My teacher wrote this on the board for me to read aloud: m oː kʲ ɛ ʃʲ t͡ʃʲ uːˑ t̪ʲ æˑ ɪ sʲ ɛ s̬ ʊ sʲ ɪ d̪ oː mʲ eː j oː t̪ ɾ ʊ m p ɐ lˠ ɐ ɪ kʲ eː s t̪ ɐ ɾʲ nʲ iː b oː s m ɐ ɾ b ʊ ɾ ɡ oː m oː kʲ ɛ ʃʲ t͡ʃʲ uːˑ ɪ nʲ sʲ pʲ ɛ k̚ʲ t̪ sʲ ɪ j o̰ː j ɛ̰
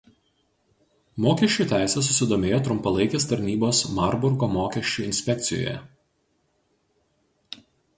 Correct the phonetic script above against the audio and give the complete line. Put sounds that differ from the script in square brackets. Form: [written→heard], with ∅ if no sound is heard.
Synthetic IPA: m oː kʲ ɛ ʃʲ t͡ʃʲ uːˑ t̪ʲ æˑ ɪ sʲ ɛ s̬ ʊ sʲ ɪ d̪ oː mʲ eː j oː t̪ ɾ ʊ m p ɐ lˠ ɐ ɪ kʲ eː s t̪ ɐ ɾʲ nʲ iː b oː s m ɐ ɾ b ʊ ɾ ɡ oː m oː kʲ ɛ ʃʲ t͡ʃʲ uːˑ ɪ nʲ sʲ pʲ ɛ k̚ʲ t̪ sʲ ɪ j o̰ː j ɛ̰